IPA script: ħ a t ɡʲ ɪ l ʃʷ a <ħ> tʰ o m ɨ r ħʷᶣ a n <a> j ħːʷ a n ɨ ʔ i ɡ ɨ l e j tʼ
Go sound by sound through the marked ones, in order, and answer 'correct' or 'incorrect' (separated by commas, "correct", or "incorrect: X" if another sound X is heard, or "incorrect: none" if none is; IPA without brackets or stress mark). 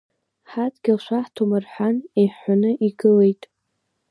correct, incorrect: e